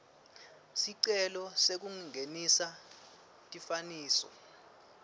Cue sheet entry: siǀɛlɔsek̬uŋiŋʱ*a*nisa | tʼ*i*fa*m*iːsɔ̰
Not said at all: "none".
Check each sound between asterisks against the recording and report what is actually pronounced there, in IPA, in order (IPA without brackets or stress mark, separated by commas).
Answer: e, i, n